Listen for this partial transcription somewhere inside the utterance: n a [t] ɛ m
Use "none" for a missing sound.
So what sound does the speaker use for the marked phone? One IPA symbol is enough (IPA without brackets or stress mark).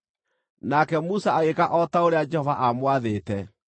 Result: k